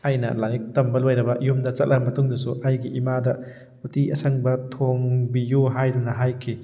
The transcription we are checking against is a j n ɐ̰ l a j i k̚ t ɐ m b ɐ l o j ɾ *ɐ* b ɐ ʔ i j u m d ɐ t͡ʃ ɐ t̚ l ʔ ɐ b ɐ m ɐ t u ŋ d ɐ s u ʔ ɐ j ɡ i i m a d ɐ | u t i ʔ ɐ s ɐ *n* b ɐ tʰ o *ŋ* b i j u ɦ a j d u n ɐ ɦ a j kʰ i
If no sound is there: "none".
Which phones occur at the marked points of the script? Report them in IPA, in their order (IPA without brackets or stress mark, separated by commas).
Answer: ɐ, ŋ, ŋ